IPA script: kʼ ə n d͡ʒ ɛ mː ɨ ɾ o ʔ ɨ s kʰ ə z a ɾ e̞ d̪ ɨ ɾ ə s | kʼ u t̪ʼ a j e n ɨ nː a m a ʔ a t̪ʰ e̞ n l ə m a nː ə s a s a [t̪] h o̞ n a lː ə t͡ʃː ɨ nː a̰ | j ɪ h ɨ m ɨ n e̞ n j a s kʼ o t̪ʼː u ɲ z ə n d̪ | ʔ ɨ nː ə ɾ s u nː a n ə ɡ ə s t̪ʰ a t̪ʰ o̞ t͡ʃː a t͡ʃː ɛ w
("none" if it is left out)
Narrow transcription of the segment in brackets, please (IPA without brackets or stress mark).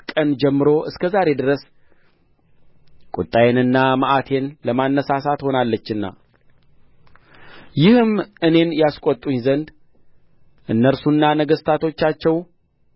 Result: t̪